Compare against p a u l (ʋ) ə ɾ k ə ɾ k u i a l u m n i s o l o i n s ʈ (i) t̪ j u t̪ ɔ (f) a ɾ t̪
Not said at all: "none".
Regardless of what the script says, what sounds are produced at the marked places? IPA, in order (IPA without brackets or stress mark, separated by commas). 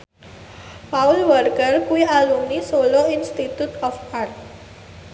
ʋ, i, f